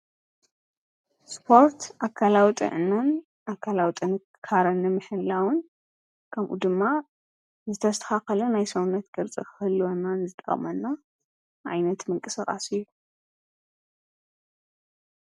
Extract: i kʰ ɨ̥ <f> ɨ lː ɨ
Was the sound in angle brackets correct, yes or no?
no